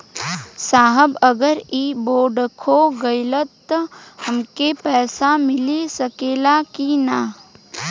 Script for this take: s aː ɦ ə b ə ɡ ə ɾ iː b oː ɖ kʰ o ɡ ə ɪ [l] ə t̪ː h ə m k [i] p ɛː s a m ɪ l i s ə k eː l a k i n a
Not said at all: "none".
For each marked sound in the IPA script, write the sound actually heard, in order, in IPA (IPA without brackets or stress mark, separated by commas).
l, e